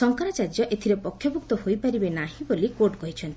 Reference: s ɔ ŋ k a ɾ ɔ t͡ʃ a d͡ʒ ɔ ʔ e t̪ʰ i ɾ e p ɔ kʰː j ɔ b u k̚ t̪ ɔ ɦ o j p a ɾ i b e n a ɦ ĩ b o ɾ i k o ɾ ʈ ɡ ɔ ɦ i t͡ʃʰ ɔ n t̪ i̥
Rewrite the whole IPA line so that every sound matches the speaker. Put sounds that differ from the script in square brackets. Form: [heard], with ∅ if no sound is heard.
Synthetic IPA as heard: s ɔ ŋ k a ɾ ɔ t͡ʃ a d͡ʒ ɔ ʔ e t̪ʰ i ɾ e p ɔ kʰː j ɔ b u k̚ t̪ ɔ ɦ o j p a ɾ i b e n a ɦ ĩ b o [l] i k o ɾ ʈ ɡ ɔ ɦ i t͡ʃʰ ɔ n t̪ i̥